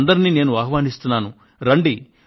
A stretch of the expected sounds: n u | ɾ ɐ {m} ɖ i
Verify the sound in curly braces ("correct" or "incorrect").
incorrect